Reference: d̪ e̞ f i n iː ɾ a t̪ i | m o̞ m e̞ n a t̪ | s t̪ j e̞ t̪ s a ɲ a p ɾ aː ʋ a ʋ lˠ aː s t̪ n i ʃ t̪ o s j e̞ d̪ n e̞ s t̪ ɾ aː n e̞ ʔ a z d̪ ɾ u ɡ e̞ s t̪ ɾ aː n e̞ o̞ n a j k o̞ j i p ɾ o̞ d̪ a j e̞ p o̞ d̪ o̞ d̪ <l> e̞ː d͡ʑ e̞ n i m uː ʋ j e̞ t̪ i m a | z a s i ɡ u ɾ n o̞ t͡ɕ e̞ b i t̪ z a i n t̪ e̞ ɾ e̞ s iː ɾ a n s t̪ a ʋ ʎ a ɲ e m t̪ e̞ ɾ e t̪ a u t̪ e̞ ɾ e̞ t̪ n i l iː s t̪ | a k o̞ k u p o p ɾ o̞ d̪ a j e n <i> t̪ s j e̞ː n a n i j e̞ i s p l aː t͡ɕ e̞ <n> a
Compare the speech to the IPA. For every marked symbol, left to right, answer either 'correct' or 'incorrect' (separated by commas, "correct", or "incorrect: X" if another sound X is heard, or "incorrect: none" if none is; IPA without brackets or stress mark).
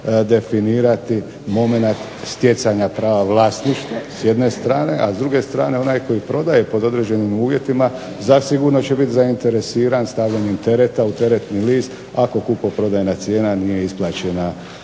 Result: incorrect: ɾ, incorrect: a, correct